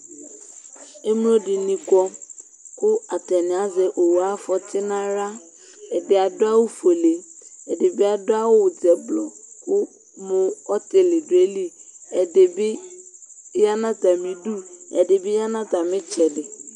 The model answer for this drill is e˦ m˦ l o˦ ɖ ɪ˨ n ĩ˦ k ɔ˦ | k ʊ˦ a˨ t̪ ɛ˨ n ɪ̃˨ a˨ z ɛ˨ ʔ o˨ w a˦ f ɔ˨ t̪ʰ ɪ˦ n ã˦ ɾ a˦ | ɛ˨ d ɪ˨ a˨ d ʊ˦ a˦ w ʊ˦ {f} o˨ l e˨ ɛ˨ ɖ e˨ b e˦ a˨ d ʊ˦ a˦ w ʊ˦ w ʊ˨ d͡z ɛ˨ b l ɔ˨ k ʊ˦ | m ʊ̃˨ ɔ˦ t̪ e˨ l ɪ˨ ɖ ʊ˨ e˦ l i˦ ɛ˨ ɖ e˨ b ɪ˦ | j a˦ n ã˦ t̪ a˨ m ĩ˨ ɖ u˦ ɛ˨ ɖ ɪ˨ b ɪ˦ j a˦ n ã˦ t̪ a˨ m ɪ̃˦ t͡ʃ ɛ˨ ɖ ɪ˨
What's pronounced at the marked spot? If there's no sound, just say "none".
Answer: f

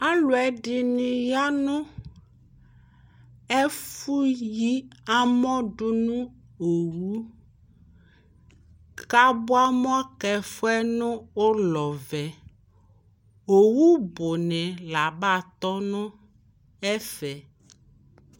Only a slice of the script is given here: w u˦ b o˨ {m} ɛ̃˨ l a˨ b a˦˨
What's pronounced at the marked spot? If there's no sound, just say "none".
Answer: n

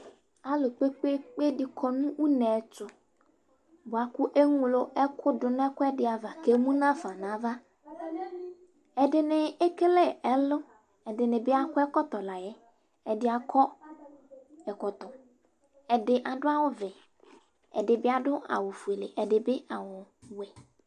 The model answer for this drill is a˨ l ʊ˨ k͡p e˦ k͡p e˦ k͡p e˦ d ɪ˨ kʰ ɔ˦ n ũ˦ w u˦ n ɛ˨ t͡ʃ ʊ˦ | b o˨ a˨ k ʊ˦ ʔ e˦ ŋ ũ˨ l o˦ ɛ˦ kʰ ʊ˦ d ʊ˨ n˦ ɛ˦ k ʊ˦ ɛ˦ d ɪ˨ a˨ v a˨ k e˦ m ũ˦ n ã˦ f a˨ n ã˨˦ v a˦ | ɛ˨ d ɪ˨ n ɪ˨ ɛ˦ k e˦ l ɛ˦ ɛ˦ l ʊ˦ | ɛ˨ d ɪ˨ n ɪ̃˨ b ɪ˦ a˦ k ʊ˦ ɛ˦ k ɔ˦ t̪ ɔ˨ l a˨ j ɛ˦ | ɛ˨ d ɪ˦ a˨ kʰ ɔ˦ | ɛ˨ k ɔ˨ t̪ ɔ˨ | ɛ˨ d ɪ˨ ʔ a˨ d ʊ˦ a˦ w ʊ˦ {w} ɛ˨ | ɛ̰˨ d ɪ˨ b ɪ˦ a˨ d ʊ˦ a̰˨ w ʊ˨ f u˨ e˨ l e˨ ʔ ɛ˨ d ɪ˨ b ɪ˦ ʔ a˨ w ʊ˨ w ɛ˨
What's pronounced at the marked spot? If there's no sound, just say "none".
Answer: v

